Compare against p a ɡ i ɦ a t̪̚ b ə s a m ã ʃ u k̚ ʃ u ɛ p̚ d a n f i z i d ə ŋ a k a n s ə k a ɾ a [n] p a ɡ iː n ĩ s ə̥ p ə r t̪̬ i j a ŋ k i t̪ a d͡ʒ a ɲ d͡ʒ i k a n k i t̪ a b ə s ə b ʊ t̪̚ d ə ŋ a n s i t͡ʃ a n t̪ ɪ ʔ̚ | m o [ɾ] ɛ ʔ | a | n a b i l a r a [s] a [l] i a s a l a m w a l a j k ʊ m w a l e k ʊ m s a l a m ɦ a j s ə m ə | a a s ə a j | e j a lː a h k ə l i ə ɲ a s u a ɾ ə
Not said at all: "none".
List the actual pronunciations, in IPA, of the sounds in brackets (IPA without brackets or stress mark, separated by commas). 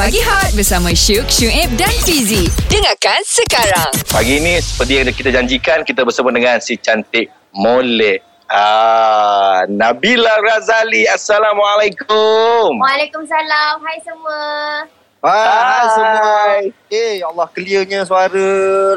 ŋ, l, z, l